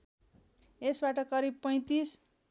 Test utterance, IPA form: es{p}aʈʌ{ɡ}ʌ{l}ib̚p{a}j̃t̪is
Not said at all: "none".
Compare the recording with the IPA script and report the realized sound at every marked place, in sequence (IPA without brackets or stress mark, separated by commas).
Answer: b, k, ɾ, ʌ